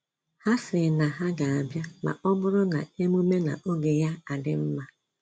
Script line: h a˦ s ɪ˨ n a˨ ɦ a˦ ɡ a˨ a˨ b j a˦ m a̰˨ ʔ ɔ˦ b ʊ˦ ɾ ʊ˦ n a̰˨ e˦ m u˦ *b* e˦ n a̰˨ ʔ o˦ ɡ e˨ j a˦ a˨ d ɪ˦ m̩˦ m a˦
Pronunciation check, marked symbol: incorrect: m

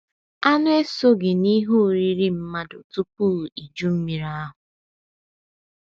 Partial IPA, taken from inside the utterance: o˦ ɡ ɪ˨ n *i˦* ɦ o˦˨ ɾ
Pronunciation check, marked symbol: correct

